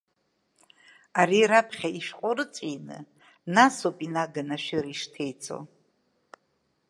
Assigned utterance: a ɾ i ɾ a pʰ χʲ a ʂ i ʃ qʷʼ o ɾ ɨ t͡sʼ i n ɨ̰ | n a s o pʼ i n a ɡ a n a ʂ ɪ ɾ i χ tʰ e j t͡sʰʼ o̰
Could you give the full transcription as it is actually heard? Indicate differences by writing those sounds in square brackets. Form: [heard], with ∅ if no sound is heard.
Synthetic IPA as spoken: a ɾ i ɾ a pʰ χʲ a [∅] i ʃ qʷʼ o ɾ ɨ t͡sʼ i n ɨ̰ | n a s o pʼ i n a ɡ a n a [ʃ] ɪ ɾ i [ʂ] tʰ e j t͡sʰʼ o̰